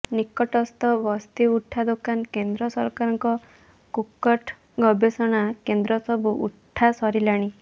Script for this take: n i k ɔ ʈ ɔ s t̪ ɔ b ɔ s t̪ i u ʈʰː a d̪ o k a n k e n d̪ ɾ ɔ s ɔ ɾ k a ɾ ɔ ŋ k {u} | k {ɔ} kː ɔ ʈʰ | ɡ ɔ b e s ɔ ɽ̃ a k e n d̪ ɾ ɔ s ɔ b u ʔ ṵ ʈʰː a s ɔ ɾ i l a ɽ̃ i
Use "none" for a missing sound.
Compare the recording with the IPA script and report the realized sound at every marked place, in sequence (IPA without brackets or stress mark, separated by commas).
ɔ, u